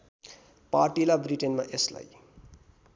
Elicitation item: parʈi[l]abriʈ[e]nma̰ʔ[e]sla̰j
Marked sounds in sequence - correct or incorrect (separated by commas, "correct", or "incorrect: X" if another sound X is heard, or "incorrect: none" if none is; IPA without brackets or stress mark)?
correct, correct, correct